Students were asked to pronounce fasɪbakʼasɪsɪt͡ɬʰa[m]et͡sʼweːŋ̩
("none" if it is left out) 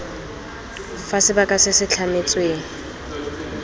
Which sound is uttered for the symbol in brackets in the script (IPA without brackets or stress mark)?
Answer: m